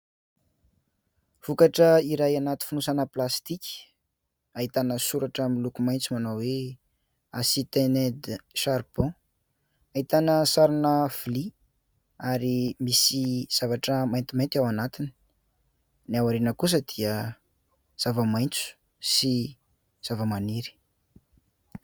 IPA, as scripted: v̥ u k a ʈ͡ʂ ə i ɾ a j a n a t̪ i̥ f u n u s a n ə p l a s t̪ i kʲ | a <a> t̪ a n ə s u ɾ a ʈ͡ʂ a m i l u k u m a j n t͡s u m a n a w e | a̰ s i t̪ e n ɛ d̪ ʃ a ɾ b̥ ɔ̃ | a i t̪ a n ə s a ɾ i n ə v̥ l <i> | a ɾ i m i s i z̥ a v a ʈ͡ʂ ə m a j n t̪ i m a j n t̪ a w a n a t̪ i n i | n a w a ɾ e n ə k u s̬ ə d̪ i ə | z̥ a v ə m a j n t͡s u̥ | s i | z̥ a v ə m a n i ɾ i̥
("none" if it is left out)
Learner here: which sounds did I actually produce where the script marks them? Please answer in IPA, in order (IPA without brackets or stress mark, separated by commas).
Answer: i, i